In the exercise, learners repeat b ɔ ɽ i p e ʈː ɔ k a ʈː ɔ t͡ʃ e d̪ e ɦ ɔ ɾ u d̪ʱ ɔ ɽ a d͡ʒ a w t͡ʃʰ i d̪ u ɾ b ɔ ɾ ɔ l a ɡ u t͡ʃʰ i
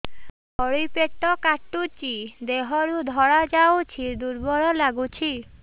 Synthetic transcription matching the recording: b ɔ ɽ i p e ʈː ɔ k a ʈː u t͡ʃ i d̪ e ɦ ɔ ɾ u d̪ʱ ɔ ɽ a d͡ʒ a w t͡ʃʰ i d̪ u ɾ b ɔ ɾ ɔ l a ɡ u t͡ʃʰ i